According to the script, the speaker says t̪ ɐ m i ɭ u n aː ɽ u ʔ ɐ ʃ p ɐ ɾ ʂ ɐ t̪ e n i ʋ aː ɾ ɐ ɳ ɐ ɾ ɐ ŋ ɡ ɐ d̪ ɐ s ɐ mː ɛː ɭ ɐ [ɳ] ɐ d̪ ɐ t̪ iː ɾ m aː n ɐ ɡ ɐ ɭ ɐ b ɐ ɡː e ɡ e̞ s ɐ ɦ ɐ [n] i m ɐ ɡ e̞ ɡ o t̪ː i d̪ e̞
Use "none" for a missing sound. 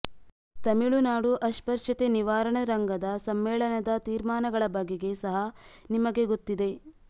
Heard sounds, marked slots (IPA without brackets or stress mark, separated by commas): n, n